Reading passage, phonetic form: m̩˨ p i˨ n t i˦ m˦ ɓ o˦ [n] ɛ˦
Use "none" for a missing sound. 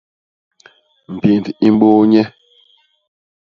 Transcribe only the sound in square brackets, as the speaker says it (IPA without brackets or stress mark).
ɲ